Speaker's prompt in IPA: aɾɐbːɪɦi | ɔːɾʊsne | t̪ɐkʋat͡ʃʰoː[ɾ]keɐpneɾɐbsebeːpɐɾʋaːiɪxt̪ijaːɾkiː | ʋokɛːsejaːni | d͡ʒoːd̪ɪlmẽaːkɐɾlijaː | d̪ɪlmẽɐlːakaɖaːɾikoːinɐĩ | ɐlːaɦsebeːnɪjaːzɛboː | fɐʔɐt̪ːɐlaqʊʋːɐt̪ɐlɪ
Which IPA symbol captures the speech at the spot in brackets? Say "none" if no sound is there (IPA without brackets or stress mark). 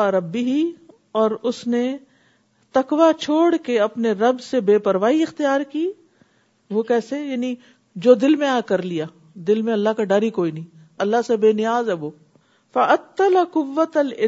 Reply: ɽ